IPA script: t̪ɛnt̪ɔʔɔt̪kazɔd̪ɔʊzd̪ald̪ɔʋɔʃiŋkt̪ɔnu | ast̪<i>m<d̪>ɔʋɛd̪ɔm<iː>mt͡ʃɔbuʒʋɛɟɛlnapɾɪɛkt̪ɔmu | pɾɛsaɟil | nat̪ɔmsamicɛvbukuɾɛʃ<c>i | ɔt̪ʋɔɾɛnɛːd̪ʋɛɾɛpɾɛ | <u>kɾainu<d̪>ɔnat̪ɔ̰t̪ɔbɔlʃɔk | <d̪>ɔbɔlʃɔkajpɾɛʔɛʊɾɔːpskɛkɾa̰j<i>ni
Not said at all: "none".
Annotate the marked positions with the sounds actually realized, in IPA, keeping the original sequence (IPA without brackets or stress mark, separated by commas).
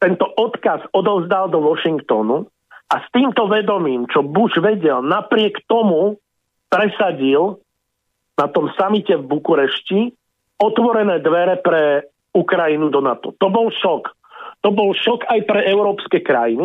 iː, t̪, iː, c, u, d̪, t̪, i